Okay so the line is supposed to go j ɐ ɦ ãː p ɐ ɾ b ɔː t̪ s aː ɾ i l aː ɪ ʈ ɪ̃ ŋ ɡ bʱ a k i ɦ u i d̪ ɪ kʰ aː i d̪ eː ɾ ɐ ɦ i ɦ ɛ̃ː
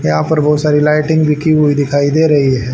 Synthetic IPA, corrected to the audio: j ɐ ɦ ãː p ɐ ɾ b ɔː t̪ s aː ɾ i l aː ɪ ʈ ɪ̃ ŋ ɡ bʱ i k i ɦ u i d̪ ɪ kʰ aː i d̪ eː ɾ ɐ ɦ i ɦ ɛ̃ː